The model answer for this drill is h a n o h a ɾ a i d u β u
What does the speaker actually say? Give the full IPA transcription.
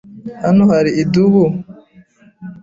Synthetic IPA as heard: h a n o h a ɾ i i d u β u